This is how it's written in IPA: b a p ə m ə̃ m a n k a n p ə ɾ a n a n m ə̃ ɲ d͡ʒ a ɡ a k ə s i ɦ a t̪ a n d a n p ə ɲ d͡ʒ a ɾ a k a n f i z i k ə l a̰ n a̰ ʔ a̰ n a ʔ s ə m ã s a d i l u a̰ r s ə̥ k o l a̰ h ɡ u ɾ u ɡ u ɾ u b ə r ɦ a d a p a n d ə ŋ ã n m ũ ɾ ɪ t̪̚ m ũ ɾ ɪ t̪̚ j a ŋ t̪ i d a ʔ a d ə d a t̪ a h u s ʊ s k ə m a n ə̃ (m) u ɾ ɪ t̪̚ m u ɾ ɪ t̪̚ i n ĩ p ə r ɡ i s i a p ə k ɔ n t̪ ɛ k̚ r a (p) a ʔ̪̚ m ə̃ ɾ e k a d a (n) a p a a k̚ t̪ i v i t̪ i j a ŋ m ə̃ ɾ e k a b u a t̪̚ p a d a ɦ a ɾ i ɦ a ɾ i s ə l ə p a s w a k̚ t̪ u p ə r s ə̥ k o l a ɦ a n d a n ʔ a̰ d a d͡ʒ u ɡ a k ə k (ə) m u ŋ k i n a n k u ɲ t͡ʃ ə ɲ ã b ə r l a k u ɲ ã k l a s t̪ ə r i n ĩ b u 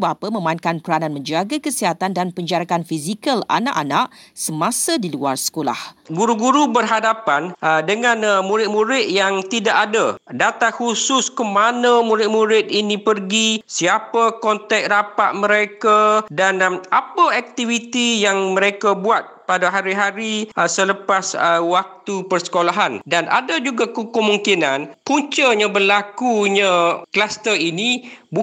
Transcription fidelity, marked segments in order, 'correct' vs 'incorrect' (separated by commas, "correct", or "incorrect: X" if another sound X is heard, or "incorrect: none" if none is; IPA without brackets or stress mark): correct, correct, correct, correct